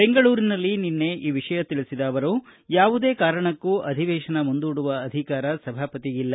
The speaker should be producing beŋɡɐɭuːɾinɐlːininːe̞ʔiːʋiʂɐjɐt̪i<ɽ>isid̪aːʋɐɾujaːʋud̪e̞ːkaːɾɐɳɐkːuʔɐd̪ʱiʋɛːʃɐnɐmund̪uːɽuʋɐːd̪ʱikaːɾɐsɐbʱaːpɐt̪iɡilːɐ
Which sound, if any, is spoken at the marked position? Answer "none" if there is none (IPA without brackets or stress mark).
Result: ɭ